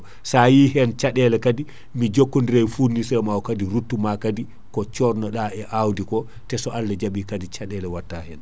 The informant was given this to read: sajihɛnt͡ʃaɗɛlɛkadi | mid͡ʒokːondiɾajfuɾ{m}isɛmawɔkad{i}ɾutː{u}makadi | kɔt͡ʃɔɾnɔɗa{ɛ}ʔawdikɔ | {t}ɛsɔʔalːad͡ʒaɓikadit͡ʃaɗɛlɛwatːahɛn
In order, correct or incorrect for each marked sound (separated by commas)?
incorrect, correct, correct, correct, correct